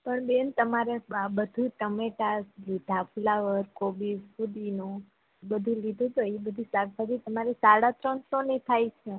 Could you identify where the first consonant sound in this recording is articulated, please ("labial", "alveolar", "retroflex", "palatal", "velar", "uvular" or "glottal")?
labial